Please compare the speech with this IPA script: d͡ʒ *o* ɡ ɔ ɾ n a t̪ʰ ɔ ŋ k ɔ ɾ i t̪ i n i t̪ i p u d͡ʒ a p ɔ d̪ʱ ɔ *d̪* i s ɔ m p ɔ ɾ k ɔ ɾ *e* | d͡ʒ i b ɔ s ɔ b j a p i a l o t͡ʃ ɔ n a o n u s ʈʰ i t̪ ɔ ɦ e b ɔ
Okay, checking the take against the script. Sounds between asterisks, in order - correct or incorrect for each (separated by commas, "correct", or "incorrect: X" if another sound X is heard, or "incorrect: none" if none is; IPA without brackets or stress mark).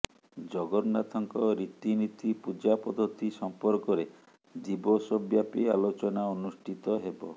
incorrect: ɔ, incorrect: t̪, correct